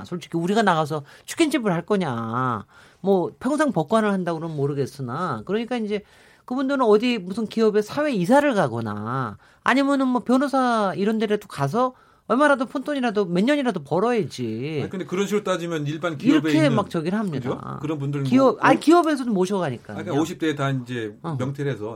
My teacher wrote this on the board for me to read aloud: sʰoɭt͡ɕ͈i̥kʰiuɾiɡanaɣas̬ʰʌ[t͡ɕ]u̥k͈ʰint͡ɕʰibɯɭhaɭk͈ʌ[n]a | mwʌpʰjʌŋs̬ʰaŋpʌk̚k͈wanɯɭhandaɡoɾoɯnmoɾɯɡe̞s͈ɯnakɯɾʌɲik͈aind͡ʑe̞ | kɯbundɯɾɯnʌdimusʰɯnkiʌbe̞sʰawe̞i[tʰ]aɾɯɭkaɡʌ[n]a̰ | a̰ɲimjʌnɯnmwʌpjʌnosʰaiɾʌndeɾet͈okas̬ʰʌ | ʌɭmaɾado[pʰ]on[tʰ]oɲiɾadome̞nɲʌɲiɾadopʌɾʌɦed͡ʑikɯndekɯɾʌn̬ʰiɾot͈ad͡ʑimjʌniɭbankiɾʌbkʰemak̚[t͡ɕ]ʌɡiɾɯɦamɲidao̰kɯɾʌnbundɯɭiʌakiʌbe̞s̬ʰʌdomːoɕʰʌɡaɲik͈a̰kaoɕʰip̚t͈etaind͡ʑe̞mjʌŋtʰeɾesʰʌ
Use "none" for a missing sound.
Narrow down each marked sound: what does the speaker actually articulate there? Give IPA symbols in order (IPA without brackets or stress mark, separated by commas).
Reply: t͡ɕʰ, ɲ, sʰ, n, pʰ, tʰ, t͡ɕ